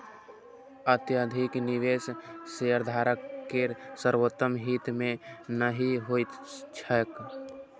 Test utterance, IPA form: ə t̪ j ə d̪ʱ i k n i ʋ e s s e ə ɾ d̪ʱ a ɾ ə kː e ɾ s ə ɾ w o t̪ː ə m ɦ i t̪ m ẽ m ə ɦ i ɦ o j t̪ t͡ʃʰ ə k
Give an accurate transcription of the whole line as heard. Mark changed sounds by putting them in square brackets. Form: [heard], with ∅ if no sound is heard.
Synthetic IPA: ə t̪ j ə d̪ʱ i k n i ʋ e s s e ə ɾ d̪ʱ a ɾ ə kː e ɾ s ə ɾ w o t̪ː ə m ɦ i t̪ m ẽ [n] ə ɦ i ɦ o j t̪ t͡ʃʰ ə k